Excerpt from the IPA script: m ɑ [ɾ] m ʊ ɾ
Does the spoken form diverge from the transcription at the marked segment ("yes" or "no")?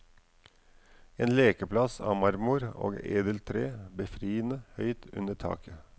no